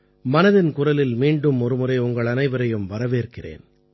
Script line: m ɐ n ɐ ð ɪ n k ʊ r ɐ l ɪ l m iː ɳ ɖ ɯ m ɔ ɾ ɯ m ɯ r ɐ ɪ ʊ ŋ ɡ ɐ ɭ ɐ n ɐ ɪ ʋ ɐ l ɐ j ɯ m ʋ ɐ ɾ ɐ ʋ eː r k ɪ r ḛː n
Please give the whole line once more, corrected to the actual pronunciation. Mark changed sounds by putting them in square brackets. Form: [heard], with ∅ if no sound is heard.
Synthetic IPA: m ɐ n ɐ ð ɪ n k ʊ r ɐ l ɪ l m iː ɳ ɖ ɯ m ɔ ɾ ɯ m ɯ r ɐ ɪ ʊ ŋ ɡ ɐ ɭ ɐ n ɐ ɪ ʋ ɐ [ɾ] ɐ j ɯ m ʋ ɐ ɾ ɐ ʋ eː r k ɪ r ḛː n